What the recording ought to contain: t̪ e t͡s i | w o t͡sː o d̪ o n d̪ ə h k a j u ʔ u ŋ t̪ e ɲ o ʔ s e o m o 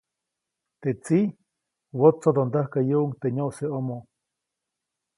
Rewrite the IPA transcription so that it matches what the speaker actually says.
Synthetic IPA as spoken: t̪ e t͡s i | w o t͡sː o d̪ o n d̪ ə h k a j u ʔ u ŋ t̪ e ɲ o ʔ s e o m o